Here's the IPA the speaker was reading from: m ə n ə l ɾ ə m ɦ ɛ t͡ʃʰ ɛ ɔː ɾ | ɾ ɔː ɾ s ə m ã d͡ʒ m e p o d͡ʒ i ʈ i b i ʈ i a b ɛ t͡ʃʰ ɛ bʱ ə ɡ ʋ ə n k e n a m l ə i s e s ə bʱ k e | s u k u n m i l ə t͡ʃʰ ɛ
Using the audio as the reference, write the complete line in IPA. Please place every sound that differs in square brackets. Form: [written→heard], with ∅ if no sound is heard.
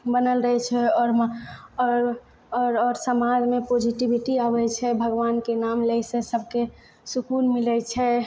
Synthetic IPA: [m→b] ə n ə l ɾ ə [m→∅] ɦ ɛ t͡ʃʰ ɛ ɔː ɾ | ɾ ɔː ɾ s ə m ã d͡ʒ m e p o d͡ʒ i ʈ i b i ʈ i a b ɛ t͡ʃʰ ɛ bʱ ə ɡ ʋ [ə→a] n k e n a m l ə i s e s ə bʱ k e | s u k u n m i l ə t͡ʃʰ ɛ

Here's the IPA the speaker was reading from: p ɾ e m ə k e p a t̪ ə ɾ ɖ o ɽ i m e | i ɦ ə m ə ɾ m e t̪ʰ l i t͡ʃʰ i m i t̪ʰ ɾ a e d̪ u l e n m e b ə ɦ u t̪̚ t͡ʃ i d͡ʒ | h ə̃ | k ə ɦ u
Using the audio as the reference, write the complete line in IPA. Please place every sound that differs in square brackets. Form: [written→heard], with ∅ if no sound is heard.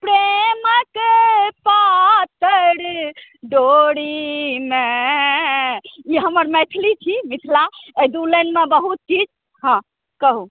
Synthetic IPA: p ɾ e m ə k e p a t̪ ə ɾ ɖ o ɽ i m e | i ɦ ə m ə ɾ m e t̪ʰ l i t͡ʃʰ i m i t̪ʰ [ɾ→l] a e d̪ u l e n m e b ə ɦ u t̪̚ t͡ʃ i d͡ʒ | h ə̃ | k ə ɦ u

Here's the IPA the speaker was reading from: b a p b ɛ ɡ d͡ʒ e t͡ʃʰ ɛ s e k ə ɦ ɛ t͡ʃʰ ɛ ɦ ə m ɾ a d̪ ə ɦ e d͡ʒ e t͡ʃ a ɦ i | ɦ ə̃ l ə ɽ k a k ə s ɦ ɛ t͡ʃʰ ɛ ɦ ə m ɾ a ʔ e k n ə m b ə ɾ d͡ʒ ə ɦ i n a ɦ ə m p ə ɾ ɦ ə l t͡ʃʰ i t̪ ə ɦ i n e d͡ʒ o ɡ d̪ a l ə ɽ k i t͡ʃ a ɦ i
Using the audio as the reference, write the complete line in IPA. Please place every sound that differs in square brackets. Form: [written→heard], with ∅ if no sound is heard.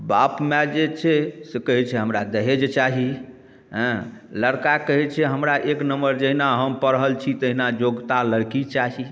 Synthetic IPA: b a p [b→m] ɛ [ɡ→∅] d͡ʒ e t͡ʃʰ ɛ s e k ə ɦ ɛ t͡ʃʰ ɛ ɦ ə m ɾ a d̪ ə ɦ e d͡ʒ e t͡ʃ a ɦ i | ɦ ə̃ l ə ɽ k a k ə [s→∅] ɦ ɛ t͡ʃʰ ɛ ɦ ə m ɾ a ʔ e k n ə m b ə ɾ d͡ʒ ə ɦ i n a ɦ ə m p ə ɾ ɦ ə l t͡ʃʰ i t̪ ə ɦ i n [e→a] d͡ʒ o ɡ [d̪→t̪] a l ə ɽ k i t͡ʃ a ɦ i

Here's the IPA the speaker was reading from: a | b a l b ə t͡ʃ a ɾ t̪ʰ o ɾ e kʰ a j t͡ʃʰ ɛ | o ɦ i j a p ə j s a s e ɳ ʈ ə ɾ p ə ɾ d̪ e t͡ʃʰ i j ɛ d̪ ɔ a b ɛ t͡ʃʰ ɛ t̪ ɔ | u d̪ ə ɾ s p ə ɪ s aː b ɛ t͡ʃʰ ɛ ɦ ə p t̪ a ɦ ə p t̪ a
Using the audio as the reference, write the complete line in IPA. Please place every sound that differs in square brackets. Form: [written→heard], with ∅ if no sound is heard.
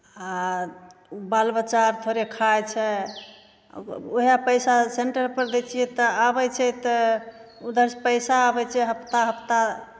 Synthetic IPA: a | b a l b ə t͡ʃ a ɾ t̪ʰ o ɾ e kʰ a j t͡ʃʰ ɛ | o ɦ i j a p ə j s a s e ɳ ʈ ə ɾ p ə ɾ d̪ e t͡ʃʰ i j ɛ [d̪→t̪] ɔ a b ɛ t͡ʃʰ ɛ t̪ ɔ | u d̪ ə ɾ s p ə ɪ s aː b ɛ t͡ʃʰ ɛ ɦ ə p t̪ a ɦ ə p t̪ a

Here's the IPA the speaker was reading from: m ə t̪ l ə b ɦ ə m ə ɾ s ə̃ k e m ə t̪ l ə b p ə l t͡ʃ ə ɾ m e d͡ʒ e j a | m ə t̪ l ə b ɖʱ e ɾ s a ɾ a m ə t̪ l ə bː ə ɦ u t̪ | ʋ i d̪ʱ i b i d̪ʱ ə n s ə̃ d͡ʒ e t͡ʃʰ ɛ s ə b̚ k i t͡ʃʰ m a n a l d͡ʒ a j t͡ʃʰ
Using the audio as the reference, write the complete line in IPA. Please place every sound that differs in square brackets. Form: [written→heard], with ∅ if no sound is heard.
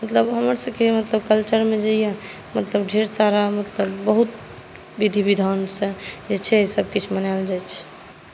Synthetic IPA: m ə t̪ l ə b ɦ ə m ə ɾ s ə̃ k e m ə t̪ l ə b [p→k] ə l t͡ʃ ə ɾ m e d͡ʒ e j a | m ə t̪ l ə b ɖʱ e ɾ s a ɾ a m ə t̪ l ə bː ə ɦ u t̪ | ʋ i d̪ʱ i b i d̪ʱ [ə→a] n s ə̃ d͡ʒ e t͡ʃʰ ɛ s ə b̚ k i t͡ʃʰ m [a→ə] n a l d͡ʒ a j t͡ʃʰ

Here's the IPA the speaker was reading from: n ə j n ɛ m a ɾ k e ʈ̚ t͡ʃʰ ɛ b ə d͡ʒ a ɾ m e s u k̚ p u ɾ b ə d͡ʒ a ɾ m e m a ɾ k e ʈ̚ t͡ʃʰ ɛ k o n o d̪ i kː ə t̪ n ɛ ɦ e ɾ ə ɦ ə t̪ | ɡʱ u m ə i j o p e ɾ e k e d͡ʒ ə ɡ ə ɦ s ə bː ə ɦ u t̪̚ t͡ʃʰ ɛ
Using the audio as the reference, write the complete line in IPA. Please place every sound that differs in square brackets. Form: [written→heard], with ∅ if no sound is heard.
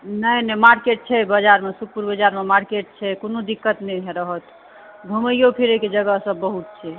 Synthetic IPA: n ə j n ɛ m a ɾ k e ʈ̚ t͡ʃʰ ɛ b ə d͡ʒ a ɾ m e s u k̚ p u ɾ b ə d͡ʒ a ɾ m e m a ɾ k e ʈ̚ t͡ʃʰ ɛ k o n o d̪ i kː ə t̪ n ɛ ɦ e ɾ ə ɦ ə t̪ | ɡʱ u m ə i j o [p→pʰ] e ɾ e k e d͡ʒ ə ɡ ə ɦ s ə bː ə ɦ u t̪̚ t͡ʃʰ ɛ

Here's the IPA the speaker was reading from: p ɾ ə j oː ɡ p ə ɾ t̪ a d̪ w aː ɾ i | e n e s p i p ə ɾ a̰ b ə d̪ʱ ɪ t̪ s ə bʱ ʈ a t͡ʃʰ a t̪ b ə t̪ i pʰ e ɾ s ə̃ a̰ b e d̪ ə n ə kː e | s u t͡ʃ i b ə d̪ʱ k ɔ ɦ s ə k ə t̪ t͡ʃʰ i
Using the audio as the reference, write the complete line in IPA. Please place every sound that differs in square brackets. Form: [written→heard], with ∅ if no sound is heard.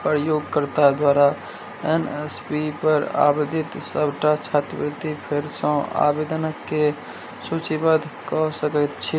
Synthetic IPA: p ɾ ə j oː ɡ [p→k] ə ɾ t̪ a d̪ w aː ɾ [i→a] | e n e s p i p ə ɾ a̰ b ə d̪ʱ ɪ t̪ s ə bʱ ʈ a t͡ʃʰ a t̪ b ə t̪ i pʰ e ɾ s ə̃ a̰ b e d̪ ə n ə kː e | s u t͡ʃ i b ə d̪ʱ k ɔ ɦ s ə k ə t̪ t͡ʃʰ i

